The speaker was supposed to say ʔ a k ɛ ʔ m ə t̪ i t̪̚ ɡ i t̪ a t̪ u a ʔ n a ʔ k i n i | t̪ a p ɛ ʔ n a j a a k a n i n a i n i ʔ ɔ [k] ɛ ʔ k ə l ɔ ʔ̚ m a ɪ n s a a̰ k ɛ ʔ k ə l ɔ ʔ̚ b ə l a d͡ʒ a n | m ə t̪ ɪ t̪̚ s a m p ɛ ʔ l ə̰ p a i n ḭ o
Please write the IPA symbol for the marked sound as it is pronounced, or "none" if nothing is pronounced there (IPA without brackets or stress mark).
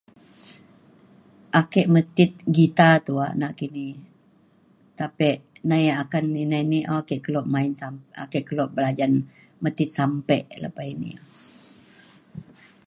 k